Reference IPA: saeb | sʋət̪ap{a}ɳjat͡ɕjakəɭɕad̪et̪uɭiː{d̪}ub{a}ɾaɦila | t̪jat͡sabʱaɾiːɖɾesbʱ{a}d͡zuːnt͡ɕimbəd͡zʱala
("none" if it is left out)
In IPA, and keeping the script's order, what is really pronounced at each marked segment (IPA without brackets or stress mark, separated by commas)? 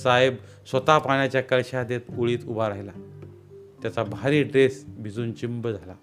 a, t̪, a, i